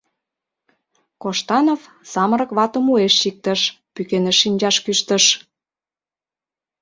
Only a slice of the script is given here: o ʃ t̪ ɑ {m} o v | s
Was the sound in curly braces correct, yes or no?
no